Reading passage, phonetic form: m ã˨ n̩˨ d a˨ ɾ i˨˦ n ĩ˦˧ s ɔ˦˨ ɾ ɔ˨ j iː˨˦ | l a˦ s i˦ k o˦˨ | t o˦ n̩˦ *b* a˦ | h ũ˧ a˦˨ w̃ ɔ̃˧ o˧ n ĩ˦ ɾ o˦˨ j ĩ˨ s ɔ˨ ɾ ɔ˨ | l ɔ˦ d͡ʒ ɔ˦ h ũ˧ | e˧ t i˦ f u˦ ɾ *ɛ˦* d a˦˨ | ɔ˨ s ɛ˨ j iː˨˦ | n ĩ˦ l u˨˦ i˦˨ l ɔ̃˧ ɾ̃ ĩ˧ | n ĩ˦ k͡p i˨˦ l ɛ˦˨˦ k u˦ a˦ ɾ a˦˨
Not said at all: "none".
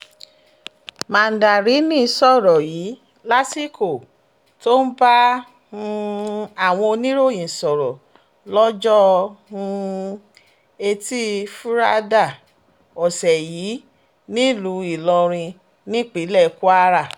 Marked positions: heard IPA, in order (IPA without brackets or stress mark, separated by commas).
b, a˦